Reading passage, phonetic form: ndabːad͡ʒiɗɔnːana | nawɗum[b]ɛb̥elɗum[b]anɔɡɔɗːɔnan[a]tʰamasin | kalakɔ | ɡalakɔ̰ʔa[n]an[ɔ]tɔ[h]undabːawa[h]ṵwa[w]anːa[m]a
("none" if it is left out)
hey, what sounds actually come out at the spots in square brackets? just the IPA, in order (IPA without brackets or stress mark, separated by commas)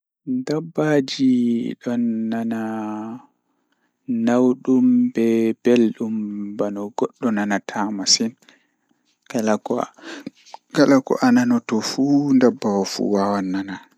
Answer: b, b, a, n, ɔ, f, f, w, n